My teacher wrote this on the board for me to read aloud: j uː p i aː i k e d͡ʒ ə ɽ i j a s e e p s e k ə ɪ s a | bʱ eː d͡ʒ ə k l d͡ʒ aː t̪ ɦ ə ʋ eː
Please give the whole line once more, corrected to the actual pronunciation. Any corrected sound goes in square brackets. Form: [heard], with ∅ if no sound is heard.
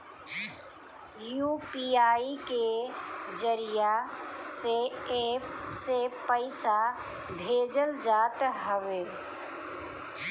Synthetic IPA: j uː p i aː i k e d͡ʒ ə [ɾ] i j a s e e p s e [p] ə ɪ s a | bʱ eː d͡ʒ ə [∅] l d͡ʒ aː t̪ ɦ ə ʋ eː